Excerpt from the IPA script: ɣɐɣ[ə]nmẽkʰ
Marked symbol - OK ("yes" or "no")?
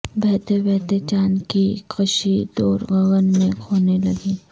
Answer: yes